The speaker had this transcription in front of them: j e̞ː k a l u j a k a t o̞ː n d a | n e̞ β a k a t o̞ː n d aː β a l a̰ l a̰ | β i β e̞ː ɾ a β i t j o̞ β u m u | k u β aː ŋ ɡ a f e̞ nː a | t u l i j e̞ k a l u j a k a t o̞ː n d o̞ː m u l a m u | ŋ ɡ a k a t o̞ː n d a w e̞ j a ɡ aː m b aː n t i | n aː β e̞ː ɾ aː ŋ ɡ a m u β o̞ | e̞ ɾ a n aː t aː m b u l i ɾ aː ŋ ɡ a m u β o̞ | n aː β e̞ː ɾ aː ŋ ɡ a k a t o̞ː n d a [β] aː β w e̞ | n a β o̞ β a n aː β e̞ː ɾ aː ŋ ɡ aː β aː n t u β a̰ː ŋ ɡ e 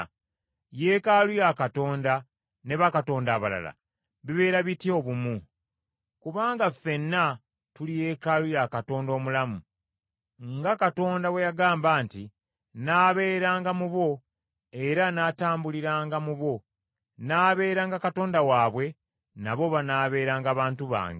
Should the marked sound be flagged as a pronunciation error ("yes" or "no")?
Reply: yes